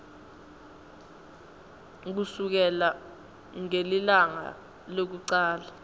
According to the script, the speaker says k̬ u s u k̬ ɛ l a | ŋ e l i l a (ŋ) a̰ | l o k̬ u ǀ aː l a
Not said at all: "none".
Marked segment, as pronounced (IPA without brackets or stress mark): ŋ